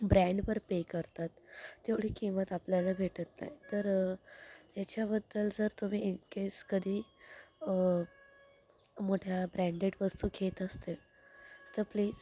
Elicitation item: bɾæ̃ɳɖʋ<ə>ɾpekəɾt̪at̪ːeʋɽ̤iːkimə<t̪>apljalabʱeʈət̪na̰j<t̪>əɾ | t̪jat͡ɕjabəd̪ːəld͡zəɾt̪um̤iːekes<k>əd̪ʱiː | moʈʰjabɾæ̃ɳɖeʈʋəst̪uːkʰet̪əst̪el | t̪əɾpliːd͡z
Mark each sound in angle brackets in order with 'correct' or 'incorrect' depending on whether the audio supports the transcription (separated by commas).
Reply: correct, correct, correct, correct